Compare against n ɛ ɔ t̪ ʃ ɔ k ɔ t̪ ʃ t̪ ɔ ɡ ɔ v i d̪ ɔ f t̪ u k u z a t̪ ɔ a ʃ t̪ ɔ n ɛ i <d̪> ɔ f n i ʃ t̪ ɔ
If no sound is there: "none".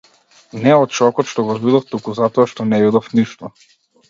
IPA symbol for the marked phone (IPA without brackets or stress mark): d̪